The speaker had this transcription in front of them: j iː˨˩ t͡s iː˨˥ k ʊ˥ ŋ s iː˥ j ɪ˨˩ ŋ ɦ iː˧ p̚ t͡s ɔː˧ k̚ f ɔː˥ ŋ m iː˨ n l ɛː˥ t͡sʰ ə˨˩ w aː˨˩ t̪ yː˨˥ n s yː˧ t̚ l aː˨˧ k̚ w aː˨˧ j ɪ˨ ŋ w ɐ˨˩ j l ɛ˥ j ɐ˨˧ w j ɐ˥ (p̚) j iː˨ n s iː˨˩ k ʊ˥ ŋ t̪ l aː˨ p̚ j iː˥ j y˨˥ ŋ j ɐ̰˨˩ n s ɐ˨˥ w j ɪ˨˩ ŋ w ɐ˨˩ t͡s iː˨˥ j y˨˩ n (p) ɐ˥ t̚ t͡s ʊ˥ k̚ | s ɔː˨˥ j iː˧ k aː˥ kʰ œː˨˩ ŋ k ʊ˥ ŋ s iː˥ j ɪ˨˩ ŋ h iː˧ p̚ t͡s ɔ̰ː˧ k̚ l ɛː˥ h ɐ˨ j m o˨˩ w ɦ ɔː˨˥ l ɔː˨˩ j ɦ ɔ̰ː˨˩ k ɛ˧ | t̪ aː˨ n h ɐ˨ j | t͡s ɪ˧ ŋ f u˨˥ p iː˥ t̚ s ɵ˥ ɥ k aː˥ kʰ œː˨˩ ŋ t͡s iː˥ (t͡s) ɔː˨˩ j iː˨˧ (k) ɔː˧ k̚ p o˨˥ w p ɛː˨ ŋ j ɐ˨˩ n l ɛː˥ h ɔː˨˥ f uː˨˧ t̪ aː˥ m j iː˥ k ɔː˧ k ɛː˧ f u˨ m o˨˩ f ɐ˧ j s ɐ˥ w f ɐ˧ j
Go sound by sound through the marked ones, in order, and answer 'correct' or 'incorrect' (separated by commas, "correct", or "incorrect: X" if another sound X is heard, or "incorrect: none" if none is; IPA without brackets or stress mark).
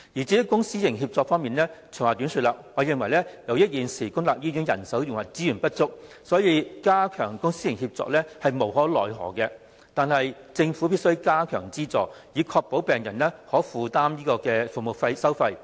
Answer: incorrect: t̚, correct, correct, incorrect: kʰ